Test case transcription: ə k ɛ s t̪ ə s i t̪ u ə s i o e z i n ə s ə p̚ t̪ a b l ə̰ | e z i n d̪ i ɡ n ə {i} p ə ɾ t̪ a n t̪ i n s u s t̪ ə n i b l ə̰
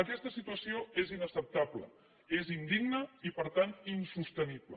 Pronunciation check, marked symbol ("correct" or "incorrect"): correct